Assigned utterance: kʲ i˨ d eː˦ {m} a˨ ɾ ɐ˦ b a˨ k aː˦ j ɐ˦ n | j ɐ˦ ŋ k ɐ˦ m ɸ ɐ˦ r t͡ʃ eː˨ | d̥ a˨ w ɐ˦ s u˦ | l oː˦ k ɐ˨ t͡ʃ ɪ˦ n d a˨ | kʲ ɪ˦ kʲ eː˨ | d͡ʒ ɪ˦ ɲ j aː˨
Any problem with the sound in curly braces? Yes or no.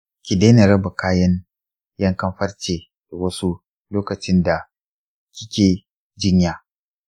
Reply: yes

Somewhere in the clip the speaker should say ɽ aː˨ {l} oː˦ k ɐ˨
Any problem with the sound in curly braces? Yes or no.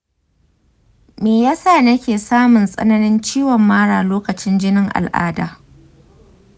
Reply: no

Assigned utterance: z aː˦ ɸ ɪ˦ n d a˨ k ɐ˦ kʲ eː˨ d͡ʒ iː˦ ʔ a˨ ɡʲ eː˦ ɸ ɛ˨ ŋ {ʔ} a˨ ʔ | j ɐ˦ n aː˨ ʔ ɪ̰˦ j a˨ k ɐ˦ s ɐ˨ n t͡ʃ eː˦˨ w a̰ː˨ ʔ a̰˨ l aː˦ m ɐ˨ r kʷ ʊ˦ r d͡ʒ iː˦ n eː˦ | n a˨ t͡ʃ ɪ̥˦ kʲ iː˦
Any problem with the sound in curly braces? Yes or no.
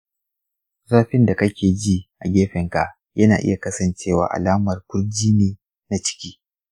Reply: yes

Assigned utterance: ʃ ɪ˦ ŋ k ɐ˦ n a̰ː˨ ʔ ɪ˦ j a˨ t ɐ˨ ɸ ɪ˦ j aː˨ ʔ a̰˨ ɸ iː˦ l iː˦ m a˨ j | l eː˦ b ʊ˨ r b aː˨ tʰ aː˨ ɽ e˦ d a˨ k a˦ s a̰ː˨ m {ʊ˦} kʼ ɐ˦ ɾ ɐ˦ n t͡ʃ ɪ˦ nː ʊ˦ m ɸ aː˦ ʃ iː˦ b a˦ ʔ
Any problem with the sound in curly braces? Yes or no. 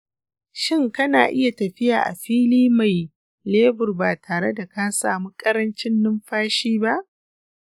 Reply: yes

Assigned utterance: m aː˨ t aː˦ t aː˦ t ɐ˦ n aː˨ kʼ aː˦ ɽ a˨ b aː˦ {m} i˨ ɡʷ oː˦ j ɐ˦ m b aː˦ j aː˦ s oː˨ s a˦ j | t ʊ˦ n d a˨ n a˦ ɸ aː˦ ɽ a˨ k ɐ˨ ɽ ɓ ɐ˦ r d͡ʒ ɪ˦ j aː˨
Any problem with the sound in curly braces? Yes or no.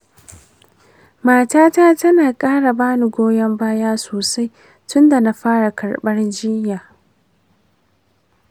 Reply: yes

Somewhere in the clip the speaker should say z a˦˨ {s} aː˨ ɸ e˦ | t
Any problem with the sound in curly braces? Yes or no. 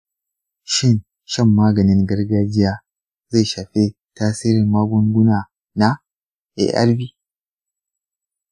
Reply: yes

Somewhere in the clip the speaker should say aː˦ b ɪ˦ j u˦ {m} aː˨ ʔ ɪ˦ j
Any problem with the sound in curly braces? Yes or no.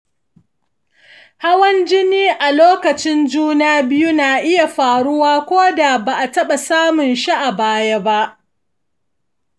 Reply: yes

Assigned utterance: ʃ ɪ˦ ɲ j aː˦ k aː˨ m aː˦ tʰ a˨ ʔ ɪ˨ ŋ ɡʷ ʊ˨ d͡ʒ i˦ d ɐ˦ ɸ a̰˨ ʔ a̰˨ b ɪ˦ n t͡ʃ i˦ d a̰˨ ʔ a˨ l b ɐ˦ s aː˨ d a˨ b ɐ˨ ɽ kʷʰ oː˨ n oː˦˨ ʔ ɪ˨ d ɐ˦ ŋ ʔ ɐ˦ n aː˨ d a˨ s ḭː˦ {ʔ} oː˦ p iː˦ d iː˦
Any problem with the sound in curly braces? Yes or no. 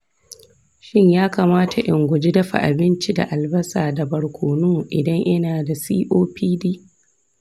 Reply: no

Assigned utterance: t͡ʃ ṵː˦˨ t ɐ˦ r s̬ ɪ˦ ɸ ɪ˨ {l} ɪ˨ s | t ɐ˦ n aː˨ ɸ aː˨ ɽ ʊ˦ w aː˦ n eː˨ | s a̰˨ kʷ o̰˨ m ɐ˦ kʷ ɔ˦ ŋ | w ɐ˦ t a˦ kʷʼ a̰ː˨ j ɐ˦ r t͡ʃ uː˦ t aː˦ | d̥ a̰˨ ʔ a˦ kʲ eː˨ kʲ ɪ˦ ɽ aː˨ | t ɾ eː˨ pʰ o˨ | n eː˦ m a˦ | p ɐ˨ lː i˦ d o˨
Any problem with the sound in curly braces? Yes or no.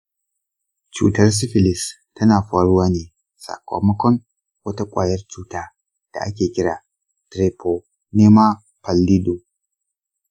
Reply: no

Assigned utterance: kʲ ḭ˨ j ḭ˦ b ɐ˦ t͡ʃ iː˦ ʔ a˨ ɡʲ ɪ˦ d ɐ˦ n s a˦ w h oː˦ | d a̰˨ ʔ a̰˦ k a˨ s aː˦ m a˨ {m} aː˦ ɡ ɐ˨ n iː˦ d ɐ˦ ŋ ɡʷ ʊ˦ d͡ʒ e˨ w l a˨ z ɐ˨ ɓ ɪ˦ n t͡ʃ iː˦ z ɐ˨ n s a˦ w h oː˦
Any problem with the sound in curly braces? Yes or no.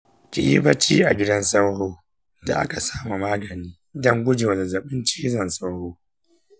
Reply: no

